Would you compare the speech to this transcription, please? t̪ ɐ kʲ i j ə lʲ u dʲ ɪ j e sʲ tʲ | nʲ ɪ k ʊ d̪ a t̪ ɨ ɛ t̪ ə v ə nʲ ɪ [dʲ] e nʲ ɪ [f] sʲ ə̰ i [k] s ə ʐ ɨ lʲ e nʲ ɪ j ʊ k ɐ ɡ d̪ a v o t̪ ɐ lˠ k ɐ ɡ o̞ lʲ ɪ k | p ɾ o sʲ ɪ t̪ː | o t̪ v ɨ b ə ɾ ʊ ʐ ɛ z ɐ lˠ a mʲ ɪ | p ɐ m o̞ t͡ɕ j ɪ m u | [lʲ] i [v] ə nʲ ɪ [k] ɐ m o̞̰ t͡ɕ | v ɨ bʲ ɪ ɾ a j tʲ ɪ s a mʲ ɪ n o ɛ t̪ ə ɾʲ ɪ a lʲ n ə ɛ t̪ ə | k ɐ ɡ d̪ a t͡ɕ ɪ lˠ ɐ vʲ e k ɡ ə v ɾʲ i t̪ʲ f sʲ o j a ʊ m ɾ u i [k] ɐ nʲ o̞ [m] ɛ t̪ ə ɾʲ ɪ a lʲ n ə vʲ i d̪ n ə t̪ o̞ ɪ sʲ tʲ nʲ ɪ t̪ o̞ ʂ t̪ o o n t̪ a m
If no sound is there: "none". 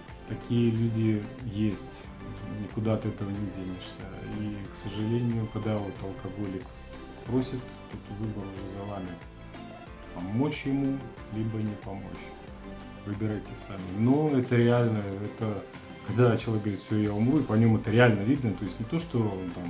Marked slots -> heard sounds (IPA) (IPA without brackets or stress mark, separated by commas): dʲ, ʂ, k, lʲ, b, p, p, m